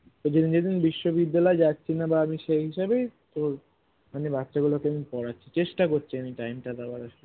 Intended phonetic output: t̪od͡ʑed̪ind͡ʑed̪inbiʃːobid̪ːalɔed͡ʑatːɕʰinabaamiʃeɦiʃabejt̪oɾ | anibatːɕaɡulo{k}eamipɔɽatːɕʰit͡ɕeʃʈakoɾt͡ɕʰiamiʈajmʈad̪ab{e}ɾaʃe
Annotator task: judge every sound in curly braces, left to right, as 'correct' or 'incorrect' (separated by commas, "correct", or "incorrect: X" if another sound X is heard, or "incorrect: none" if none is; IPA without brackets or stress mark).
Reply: correct, incorrect: a